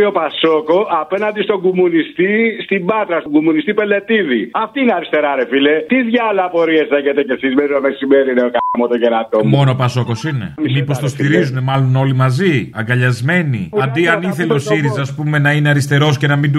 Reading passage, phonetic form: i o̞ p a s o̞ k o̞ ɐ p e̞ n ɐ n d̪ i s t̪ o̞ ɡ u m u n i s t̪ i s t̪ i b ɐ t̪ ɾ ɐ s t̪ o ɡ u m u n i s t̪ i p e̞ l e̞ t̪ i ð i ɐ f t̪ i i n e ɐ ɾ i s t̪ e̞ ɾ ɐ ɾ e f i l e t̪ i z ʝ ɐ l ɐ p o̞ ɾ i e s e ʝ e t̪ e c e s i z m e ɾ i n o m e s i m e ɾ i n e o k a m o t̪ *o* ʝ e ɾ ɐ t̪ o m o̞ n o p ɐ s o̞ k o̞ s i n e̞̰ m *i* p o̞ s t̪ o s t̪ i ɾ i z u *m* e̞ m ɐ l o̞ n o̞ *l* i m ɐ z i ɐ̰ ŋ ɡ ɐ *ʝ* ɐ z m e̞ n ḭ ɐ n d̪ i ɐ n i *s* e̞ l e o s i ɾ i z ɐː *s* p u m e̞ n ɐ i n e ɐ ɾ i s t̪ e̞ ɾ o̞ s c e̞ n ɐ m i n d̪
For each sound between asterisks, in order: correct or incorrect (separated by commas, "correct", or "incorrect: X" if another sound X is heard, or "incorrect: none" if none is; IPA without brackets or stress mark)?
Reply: correct, correct, incorrect: n, correct, incorrect: ʎ, incorrect: θ, correct